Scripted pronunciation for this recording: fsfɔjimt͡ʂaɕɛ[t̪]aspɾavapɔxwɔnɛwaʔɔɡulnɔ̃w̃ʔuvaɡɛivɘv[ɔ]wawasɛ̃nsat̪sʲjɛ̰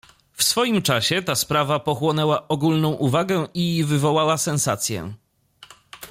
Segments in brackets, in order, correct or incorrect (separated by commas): correct, correct